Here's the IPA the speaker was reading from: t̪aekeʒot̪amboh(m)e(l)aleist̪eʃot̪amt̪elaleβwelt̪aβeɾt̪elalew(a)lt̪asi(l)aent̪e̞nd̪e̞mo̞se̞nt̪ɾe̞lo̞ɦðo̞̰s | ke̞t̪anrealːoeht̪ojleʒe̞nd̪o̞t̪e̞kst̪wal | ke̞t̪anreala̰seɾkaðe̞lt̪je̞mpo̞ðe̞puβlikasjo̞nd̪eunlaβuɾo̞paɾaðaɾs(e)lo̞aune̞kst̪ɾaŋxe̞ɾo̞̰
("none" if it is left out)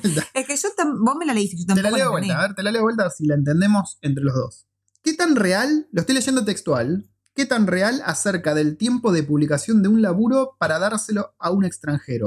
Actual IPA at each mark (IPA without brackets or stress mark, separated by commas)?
m, l, e, l, e